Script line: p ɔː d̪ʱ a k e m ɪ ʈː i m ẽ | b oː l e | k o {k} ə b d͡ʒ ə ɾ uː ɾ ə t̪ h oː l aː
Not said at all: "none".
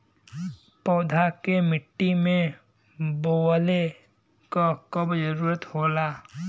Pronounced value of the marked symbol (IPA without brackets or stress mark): k